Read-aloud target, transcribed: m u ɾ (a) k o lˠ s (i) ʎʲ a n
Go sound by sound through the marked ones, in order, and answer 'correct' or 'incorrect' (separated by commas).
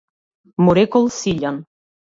incorrect, correct